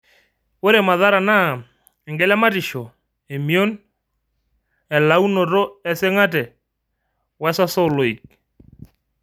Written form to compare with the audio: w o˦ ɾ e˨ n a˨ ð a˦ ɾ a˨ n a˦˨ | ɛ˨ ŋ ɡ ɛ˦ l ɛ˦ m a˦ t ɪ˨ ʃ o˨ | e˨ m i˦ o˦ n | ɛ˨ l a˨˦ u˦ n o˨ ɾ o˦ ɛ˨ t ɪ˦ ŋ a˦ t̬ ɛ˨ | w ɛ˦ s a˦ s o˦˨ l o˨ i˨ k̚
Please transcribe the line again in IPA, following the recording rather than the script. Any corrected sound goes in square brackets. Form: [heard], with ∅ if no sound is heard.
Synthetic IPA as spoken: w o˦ ɾ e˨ [m] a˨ ð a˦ ɾ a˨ n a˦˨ | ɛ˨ ŋ ɡ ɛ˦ l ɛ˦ m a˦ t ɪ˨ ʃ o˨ | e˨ m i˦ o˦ n | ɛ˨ l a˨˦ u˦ n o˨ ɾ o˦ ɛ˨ [s] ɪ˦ ŋ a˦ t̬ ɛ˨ | w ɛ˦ s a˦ s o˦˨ l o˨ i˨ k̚